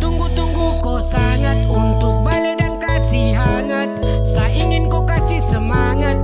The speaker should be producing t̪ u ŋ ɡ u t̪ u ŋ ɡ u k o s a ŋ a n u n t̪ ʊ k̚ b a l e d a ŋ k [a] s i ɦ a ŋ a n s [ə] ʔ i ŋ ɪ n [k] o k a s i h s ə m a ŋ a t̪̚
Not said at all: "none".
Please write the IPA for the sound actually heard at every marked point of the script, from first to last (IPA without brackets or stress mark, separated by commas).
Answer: a, a, k